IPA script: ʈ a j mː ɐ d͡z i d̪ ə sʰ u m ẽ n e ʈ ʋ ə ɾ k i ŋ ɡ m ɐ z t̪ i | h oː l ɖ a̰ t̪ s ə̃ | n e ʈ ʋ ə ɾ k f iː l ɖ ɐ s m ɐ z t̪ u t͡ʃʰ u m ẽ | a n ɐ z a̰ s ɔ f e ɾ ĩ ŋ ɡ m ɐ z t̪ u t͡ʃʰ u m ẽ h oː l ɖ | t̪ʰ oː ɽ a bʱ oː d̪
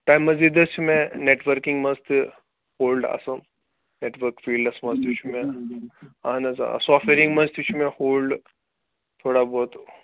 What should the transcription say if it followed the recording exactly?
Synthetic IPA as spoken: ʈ a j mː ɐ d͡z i d̪ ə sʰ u m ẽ n e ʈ ʋ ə ɾ k i ŋ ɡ m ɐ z t̪ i | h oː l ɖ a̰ s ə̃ | n e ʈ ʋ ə ɾ k f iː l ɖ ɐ s m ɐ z t̪ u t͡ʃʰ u m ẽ | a n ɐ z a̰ s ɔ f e ɾ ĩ ŋ ɡ m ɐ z t̪ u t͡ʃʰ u m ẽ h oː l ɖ | t̪ʰ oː ɽ a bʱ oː t̪